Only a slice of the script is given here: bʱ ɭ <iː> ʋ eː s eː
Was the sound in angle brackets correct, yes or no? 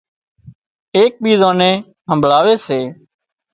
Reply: no